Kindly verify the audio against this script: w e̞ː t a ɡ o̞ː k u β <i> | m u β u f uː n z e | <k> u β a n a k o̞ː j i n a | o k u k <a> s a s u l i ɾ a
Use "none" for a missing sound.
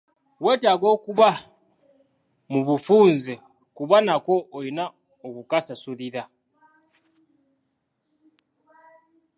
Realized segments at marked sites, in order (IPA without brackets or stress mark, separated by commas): a, k, a